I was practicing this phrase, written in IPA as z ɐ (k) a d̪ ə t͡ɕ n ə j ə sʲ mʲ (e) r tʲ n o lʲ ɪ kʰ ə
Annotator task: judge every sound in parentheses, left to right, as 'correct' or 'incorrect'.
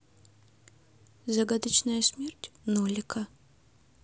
incorrect: ɡ, correct

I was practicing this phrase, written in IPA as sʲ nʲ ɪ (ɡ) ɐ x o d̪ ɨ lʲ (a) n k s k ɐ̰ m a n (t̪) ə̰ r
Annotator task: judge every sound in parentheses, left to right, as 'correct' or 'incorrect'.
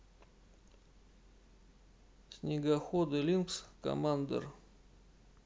correct, incorrect: i, incorrect: d̪

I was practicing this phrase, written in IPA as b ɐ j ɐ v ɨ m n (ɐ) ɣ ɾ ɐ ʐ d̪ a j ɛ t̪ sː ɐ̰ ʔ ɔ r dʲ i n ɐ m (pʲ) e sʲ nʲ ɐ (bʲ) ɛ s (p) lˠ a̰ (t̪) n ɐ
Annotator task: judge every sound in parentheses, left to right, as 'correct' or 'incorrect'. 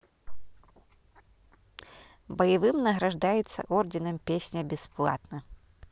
correct, correct, correct, correct, correct

